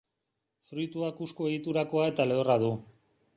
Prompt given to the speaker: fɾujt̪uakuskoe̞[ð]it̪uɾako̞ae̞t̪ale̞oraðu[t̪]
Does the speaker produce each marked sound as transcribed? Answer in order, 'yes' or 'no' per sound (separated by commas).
no, no